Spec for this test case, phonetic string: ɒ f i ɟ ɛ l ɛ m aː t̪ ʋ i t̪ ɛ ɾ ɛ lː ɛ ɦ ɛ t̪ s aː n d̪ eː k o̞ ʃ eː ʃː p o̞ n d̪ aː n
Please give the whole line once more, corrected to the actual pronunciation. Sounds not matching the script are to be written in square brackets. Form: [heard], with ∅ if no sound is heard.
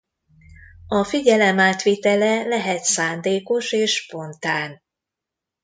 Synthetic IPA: ɒ f i ɟ ɛ l ɛ m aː t̪ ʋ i t̪ ɛ [l] ɛ [l] ɛ ɦ ɛ t̪ s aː n d̪ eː k o̞ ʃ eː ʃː p o̞ n [t̪] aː n